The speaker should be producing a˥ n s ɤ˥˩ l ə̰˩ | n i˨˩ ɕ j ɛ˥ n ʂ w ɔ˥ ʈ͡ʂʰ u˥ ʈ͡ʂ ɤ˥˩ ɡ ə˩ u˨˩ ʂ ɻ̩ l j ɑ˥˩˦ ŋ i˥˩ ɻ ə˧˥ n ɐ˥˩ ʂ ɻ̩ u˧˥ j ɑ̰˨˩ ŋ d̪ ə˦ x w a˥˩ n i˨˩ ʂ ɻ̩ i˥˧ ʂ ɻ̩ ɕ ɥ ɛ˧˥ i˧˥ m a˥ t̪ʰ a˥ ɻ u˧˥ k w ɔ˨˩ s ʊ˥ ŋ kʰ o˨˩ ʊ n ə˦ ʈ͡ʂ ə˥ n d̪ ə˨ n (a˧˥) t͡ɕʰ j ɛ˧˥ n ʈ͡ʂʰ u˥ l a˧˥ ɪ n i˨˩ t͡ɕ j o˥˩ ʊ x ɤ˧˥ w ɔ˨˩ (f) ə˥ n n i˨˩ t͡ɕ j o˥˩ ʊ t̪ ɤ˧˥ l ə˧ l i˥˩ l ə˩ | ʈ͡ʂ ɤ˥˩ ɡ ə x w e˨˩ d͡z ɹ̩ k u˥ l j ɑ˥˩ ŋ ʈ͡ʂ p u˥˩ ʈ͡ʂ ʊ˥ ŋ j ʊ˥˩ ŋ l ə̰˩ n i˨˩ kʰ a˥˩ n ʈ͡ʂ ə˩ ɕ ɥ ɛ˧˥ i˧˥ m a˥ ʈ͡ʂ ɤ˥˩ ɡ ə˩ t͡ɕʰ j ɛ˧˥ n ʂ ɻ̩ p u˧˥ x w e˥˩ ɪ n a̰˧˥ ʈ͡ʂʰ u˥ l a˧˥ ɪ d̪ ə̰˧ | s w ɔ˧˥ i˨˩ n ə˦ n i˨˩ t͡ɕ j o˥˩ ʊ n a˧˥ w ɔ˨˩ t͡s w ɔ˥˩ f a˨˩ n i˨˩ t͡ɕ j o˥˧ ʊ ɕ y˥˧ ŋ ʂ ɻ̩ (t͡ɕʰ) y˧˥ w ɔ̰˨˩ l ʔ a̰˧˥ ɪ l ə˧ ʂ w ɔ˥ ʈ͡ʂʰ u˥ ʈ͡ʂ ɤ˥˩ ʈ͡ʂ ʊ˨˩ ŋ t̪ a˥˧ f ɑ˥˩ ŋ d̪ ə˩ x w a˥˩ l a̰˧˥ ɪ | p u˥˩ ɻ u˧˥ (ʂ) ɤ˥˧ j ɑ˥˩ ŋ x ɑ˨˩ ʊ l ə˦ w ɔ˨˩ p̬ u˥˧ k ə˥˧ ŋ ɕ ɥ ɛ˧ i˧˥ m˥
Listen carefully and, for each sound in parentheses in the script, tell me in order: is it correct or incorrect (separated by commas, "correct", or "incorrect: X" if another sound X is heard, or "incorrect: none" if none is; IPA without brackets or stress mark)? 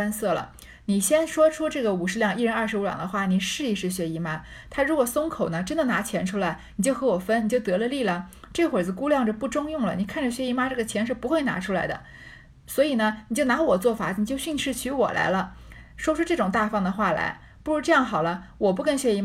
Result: correct, correct, correct, incorrect: ʈ͡ʂ